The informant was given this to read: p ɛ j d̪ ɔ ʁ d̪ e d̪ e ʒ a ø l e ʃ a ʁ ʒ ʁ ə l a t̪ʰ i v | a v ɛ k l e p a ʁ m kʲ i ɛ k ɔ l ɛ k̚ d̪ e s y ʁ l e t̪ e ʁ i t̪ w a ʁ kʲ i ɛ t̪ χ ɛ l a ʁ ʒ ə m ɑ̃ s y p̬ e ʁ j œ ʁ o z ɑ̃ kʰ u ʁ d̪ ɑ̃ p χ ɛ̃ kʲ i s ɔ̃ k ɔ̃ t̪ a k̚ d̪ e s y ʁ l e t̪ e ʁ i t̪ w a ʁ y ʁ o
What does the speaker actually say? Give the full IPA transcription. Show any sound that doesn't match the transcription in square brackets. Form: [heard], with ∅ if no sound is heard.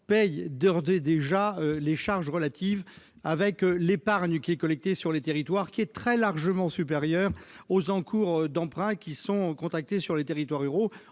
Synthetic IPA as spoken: p ɛ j d̪ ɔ ʁ d̪ e d̪ e ʒ a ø l e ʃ a ʁ ʒ ʁ ə l a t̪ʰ i v | a v ɛ k l e p a ʁ [ɲ] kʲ i ɛ k ɔ l ɛ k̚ [t̪] e s y ʁ l e t̪ e ʁ i t̪ w a ʁ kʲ i ɛ t̪ χ ɛ l a ʁ ʒ ə m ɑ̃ s y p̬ e ʁ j œ ʁ o z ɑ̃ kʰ u ʁ d̪ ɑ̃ p χ ɛ̃ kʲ i s ɔ̃ k ɔ̃ t̪ a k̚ [t̪] e s y ʁ l e t̪ e ʁ i t̪ w a ʁ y ʁ o